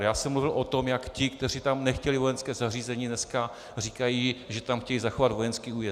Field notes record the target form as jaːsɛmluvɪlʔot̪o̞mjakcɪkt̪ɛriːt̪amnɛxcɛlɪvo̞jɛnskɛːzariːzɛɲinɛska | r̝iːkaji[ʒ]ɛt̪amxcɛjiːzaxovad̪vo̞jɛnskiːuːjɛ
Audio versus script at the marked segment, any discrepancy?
no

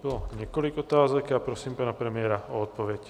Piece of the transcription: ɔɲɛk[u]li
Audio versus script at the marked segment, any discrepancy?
yes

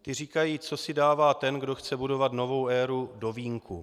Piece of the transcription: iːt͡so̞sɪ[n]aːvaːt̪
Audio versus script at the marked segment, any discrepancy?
yes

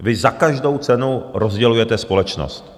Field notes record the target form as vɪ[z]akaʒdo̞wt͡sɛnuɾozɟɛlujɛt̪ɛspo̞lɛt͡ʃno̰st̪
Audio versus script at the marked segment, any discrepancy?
no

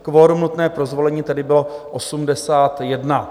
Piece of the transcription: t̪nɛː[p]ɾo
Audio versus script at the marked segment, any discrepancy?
no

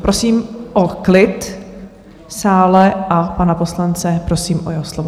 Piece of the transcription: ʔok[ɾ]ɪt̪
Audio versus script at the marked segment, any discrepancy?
yes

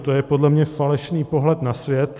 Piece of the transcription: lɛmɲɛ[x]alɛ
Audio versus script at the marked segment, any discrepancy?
yes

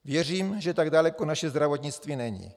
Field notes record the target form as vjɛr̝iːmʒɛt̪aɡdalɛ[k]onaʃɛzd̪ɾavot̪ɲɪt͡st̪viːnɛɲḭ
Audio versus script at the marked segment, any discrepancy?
no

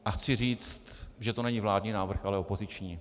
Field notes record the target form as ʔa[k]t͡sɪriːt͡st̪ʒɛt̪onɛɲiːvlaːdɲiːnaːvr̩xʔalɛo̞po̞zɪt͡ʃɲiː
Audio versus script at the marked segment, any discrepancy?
yes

